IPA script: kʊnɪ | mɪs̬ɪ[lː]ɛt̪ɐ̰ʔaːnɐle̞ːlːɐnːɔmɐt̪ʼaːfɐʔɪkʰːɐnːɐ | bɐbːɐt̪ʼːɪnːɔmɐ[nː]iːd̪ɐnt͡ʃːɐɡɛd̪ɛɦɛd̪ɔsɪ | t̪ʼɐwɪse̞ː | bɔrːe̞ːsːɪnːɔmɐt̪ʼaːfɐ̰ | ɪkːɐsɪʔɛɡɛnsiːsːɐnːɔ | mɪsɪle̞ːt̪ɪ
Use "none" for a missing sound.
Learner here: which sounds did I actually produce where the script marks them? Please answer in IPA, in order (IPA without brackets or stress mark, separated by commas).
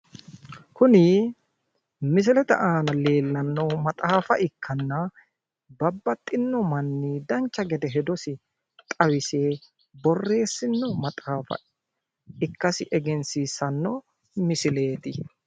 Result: l, nː